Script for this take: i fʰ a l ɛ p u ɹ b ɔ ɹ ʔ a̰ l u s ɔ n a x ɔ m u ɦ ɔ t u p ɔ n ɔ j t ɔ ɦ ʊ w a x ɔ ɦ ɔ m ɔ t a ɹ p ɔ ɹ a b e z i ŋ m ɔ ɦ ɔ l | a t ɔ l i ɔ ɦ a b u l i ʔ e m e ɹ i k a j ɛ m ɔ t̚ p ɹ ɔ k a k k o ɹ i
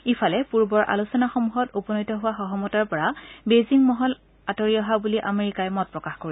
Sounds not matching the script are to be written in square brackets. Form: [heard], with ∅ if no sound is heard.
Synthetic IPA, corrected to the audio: i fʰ a l ɛ p u ɹ b ɔ ɹ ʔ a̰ l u s ɔ n a x ɔ m u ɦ ɔ t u p ɔ n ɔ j t ɔ ɦ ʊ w a x ɔ ɦ ɔ m ɔ t a ɹ p ɔ ɹ a b e z i ŋ m ɔ ɦ ɔ l | a t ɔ [ɹ] i ɔ ɦ a b u l i ʔ [a] m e ɹ i k a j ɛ m ɔ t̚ p ɹ ɔ k a [x] k o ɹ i

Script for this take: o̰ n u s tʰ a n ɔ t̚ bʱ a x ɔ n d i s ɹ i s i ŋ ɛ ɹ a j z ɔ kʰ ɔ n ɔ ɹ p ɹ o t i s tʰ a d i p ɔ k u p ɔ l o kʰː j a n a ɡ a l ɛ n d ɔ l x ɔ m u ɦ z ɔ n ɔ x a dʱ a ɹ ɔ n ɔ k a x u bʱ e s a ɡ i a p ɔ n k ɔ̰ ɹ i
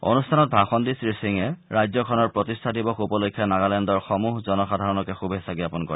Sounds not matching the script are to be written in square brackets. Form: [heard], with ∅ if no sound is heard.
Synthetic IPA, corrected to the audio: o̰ n u s tʰ a n ɔ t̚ bʱ a x ɔ n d i s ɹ i s i ŋ ɛ ɹ a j z ɔ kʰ ɔ n ɔ ɹ p ɹ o t i s tʰ a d i [b] ɔ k u p ɔ l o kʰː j a n a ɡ a l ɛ n d ɔ [ɹ] x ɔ m u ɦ z ɔ n ɔ x a dʱ a ɹ ɔ n ɔ k [ɛ] x u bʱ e s a ɡ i a p ɔ n k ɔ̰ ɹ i

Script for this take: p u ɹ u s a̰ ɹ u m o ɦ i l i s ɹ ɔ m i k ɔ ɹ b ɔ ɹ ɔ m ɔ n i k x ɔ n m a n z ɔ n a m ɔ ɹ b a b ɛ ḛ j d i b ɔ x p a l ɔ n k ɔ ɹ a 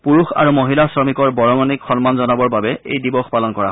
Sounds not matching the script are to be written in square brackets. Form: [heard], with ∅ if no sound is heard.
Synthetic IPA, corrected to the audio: p u ɹ u [x] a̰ ɹ u m o ɦ i l [a] s ɹ ɔ m i k ɔ ɹ b ɔ ɹ ɔ m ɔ n i k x ɔ n m a n z ɔ n a [b] ɔ ɹ b a b ɛ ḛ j d i b ɔ x p a l ɔ n k ɔ ɹ a

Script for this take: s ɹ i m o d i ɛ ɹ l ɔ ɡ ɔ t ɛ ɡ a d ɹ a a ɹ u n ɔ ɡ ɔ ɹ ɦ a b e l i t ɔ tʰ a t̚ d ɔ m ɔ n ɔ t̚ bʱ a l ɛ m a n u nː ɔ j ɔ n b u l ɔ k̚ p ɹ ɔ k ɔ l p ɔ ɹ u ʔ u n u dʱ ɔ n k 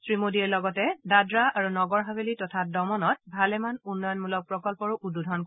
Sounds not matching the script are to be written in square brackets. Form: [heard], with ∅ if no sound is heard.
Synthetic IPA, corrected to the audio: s ɹ i m o d i ɛ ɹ l ɔ ɡ ɔ t ɛ [d] a d ɹ a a ɹ u n ɔ ɡ ɔ ɹ ɦ a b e l i t ɔ tʰ a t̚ d ɔ m ɔ n ɔ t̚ bʱ a l ɛ m a n u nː ɔ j ɔ n [m] u l ɔ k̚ p ɹ ɔ k ɔ l p ɔ ɹ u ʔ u [d] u dʱ ɔ n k

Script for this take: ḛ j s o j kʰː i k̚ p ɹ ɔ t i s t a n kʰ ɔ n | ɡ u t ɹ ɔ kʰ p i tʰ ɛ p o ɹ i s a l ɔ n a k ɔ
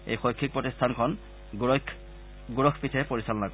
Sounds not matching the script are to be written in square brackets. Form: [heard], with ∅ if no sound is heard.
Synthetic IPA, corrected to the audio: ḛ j [x] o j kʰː i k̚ p ɹ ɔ t i s [tʰ] a n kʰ ɔ n | ɡ u [∅] ɹ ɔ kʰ p i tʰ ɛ p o ɹ i s a l ɔ n a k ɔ

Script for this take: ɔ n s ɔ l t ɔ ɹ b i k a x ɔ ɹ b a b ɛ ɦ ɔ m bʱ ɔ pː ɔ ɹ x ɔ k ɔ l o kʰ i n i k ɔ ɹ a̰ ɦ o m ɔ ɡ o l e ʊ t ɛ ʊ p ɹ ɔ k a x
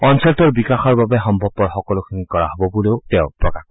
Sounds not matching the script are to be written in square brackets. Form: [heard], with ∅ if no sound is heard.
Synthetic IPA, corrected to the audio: ɔ n s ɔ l t ɔ ɹ b i k a x ɔ ɹ b a b ɛ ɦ ɔ m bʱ ɔ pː ɔ ɹ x ɔ k ɔ l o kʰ i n i k ɔ ɹ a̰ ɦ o [b] ɔ [b] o l e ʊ t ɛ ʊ p ɹ ɔ k a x

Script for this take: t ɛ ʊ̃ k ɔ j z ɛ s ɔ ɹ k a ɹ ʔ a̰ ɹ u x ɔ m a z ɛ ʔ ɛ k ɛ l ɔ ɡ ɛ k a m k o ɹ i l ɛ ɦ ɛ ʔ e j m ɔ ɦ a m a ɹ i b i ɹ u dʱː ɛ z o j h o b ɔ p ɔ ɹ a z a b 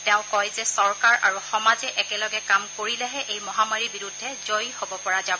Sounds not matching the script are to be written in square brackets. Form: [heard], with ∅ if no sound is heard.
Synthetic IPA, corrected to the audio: t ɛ ʊ̃ k ɔ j z ɛ s ɔ ɹ k a ɹ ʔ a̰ ɹ u x ɔ m a z ɛ ʔ ɛ k ɛ l ɔ ɡ ɛ k a m k o ɹ i l ɛ ɦ ɛ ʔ e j m ɔ ɦ a m a ɹ i b i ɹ u dʱː ɛ z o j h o b ɔ p ɔ ɹ a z a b

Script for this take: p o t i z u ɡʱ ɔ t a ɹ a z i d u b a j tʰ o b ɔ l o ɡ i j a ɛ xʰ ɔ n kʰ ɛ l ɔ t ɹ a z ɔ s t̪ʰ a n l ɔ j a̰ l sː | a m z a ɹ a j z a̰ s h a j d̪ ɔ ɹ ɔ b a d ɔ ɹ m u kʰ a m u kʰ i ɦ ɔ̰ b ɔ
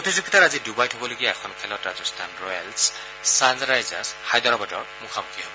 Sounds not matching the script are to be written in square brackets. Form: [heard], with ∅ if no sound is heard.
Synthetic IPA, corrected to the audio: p o t i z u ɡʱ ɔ t a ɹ a z i d u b a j tʰ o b ɔ l o ɡ i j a ɛ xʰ ɔ n kʰ ɛ l ɔ t ɹ a z ɔ s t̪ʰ a n [ɹ] ɔ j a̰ l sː | a [n] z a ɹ a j z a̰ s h a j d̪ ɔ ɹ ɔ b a d ɔ ɹ m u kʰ a m u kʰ i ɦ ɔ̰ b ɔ

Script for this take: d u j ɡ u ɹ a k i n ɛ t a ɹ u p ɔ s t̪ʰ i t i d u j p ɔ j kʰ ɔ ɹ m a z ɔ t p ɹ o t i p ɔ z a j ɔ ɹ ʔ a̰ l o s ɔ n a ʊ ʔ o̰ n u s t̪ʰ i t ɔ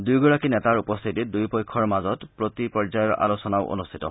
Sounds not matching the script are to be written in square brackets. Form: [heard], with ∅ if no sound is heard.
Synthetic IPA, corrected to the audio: d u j ɡ [ɔ] ɹ a k i n ɛ t a ɹ u p ɔ s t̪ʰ i t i d u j p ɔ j kʰ ɔ ɹ m a z ɔ t p ɹ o t i p ɔ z a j ɔ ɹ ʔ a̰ l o s ɔ n a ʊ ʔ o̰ n u s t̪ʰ i t ɔ

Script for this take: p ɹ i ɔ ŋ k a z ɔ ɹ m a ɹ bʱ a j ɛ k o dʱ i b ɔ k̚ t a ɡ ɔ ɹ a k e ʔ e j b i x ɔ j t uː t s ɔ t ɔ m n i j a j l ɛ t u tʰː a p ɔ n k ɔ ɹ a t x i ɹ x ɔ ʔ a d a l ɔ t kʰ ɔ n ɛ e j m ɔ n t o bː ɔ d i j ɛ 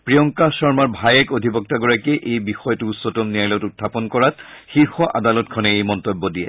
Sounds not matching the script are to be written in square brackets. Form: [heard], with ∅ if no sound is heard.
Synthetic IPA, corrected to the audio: p ɹ i ɔ ŋ k a [s] ɔ ɹ m a ɹ bʱ a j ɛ k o dʱ i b ɔ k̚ t a ɡ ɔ ɹ a k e ʔ e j b i x ɔ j t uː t s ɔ t ɔ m n i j a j l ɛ t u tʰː a p ɔ n k ɔ ɹ a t x i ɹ x ɔ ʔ a d a l ɔ t kʰ ɔ n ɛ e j m ɔ n t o bː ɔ d i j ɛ

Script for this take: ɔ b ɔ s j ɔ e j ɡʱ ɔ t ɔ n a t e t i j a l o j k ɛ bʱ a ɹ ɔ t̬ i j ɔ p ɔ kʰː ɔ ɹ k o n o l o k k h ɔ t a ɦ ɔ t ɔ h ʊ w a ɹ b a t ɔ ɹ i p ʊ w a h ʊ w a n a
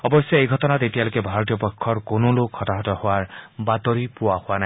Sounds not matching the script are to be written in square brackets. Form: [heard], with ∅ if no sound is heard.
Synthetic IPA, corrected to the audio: ɔ b ɔ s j ɔ e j ɡʱ ɔ t ɔ n a t e t i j a l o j k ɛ bʱ a ɹ ɔ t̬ i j ɔ p ɔ kʰː ɔ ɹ k o n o l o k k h ɔ t a ɦ ɔ t ɔ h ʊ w a ɹ b a t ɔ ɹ i p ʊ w a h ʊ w a n a

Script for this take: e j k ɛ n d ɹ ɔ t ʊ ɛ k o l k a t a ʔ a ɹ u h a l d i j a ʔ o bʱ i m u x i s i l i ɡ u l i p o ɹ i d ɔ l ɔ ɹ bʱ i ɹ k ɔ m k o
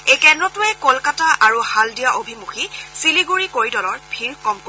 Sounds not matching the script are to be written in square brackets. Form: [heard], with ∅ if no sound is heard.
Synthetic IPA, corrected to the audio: e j k ɛ n d ɹ ɔ t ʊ ɛ k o l k a t a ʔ a ɹ u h a l d i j a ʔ o bʱ i m u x i s i l i ɡ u [ɹ] i [k] o ɹ i d ɔ l ɔ ɹ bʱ i ɹ k ɔ m k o

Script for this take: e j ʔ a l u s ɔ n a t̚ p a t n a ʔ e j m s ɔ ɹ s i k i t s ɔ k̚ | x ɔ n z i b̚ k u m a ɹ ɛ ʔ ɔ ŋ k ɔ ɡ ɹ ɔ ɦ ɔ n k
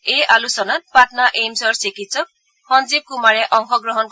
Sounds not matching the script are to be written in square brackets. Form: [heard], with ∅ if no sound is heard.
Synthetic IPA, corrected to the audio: e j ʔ a l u s ɔ n a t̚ p a t n a ʔ e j m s ɔ ɹ s i k i t s ɔ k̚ | x ɔ n z i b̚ k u m a ɹ ɛ ʔ ɔ ŋ [x] ɔ ɡ ɹ ɔ ɦ ɔ n k

